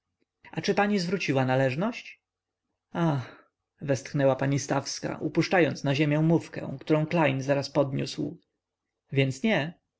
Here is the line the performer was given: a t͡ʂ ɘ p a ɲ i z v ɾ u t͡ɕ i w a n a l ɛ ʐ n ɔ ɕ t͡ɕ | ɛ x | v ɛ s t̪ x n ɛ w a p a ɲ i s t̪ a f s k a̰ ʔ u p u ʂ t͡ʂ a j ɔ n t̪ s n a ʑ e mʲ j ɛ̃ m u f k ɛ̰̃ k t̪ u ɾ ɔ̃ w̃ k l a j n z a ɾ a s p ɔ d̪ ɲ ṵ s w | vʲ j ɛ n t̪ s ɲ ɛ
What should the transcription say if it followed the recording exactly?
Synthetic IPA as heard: a t͡ʂ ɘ p a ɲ i z v ɾ u t͡ɕ i w a n a l ɛ ʐ n ɔ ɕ t͡ɕ | a x | v ɛ s t̪ x n ɛ w a p a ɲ i s t̪ a f s k a̰ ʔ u p u ʂ t͡ʂ a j ɔ n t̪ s n a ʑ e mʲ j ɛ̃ m u f k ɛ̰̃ k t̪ u ɾ ɔ̃ w̃ k l a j n z a ɾ a s p ɔ d̪ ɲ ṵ s w | vʲ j ɛ n t̪ s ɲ ɛ